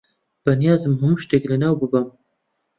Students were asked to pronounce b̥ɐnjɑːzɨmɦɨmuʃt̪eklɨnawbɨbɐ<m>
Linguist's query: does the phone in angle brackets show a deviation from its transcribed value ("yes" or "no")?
no